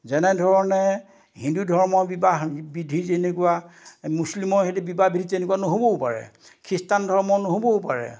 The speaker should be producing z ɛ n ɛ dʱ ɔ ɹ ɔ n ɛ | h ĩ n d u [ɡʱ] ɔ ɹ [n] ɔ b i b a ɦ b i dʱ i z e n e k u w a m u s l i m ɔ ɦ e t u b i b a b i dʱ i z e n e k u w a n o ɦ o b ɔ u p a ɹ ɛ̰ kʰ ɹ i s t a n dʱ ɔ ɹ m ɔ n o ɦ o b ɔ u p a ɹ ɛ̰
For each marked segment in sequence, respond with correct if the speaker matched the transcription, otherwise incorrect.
incorrect: dʱ, incorrect: m

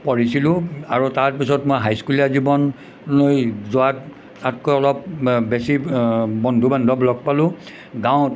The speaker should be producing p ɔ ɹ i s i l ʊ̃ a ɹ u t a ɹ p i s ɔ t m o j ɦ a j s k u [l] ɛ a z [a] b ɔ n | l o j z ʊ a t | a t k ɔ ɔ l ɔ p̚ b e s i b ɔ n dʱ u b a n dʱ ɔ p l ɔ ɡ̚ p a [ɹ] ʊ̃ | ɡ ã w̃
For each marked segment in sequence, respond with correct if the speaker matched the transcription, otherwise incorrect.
correct, incorrect: i, incorrect: l

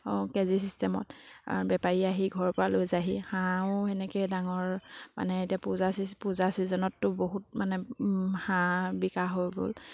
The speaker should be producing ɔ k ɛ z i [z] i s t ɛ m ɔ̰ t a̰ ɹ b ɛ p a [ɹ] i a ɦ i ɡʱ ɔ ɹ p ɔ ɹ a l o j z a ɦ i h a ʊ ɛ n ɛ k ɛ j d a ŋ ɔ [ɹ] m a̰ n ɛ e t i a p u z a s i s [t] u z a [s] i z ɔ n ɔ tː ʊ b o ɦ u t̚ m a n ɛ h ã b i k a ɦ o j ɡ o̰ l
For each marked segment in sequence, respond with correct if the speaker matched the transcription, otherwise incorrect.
incorrect: s, correct, correct, incorrect: p, correct

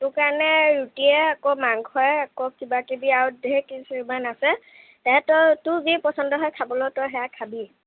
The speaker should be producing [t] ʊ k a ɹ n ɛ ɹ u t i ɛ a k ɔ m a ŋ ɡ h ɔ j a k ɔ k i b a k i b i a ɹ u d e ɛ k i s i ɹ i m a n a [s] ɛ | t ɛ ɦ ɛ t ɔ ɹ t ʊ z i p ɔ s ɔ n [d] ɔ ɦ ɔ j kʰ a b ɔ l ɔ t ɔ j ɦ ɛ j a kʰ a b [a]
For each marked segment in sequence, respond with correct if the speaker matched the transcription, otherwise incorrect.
correct, correct, correct, incorrect: i

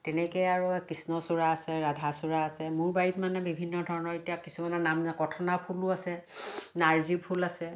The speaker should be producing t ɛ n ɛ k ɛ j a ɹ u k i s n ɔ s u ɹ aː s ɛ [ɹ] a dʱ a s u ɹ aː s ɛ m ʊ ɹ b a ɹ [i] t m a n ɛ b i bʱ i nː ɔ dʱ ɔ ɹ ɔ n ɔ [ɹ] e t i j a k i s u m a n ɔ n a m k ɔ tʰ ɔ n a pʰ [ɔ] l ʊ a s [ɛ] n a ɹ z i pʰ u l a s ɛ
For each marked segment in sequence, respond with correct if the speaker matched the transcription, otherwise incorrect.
correct, correct, correct, incorrect: u, correct

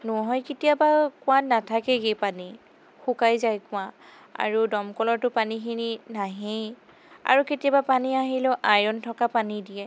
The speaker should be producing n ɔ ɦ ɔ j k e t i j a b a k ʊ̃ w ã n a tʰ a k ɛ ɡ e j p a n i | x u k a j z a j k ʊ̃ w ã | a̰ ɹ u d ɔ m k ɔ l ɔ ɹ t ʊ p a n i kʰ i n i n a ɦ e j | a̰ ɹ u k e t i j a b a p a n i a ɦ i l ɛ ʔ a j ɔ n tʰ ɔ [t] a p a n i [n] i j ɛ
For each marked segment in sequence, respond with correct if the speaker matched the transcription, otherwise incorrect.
incorrect: k, incorrect: d

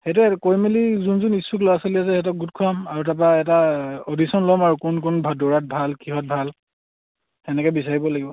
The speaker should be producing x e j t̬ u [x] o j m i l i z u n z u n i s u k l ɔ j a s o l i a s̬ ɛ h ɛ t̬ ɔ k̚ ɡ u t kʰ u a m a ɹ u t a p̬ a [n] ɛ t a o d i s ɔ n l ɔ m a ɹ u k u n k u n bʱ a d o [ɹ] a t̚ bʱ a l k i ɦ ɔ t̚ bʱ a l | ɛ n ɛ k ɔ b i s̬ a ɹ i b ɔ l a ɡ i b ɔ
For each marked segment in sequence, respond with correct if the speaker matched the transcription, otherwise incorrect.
incorrect: k, incorrect: none, correct

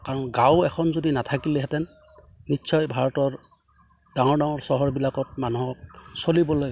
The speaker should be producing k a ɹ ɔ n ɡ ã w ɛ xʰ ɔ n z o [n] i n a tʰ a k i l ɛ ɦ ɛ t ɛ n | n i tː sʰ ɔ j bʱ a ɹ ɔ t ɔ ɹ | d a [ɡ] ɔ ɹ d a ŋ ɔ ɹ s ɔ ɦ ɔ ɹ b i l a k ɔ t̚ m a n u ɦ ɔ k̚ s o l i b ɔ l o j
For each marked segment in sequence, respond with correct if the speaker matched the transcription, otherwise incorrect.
incorrect: d, incorrect: ŋ

